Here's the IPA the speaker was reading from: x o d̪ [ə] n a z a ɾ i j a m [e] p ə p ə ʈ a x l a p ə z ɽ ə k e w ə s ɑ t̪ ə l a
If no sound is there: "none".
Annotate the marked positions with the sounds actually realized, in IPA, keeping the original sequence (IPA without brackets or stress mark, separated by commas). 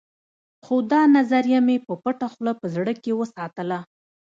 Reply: ɑ, e